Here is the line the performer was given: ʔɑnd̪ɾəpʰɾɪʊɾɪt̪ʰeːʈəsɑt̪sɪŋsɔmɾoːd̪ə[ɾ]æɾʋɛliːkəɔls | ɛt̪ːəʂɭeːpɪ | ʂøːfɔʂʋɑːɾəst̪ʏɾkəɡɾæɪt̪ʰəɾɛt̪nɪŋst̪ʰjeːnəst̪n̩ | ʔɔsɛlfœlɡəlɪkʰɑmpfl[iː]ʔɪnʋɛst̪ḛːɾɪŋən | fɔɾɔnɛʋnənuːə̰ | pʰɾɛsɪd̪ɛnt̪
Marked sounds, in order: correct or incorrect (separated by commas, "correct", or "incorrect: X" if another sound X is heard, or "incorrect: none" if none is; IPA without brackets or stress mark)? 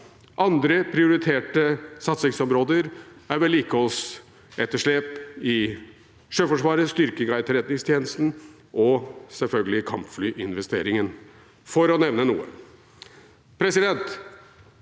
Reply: correct, incorrect: yː